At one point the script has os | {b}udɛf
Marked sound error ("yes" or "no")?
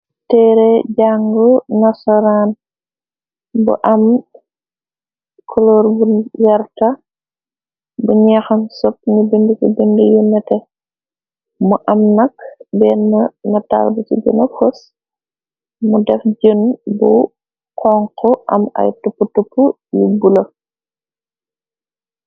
yes